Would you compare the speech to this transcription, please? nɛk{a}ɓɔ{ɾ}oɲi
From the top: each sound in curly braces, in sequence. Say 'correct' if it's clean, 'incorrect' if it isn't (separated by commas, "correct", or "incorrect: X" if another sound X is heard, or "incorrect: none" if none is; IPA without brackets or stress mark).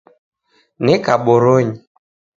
correct, correct